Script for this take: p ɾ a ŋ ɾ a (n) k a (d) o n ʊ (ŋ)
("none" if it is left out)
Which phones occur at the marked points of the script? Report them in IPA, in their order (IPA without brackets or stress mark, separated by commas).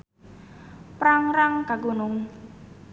ŋ, ɡ, ŋ